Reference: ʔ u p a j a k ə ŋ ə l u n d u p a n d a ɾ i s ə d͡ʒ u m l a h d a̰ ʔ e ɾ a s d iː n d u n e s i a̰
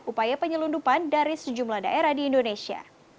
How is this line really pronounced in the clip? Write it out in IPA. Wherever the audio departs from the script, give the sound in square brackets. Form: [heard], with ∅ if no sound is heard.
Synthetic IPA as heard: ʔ u p a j a [p] ə [ɲ] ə l u n d u p a n d a ɾ i s ə d͡ʒ u m l a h d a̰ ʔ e ɾ a [h] d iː n d [o] n e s i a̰

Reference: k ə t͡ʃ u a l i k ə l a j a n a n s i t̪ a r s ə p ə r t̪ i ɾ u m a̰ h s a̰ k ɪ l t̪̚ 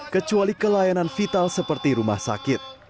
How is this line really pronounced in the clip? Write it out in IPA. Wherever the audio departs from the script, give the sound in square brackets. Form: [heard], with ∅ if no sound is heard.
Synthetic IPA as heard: k ə t͡ʃ u a l i k ə l a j a n a n [f] i t̪ a [l] s ə p ə r t̪ i ɾ u m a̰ h s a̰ k ɪ [∅] t̪̚

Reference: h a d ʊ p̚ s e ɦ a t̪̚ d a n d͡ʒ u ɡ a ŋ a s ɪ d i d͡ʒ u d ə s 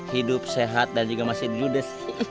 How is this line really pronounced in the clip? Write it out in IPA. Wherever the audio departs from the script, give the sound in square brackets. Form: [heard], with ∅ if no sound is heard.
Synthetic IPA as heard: h [i] d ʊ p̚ s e ɦ a t̪̚ d a n d͡ʒ u ɡ a [m] a s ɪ d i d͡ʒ u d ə s

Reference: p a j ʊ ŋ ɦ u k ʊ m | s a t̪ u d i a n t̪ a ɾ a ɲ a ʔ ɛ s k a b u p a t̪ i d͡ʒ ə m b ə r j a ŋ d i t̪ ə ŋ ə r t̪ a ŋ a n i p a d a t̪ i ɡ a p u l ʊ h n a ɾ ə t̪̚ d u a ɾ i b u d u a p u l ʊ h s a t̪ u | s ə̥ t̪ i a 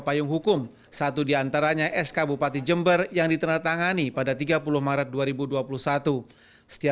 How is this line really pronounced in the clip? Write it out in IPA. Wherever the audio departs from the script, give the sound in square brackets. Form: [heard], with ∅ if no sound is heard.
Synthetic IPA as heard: p a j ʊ ŋ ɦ u k ʊ m | s a t̪ u d i a n t̪ a ɾ a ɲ a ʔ ɛ s k a b u p a t̪ i d͡ʒ ə m b ə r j a ŋ d i t̪ ə [n] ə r t̪ a ŋ a n i p a d a t̪ i ɡ a p u l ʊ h [m] a ɾ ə t̪̚ d u a ɾ i b u d u a p u l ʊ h s a t̪ u | s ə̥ t̪ i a

